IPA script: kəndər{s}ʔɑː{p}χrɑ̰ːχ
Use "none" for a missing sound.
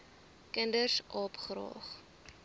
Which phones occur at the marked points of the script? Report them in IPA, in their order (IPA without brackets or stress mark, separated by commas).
s, p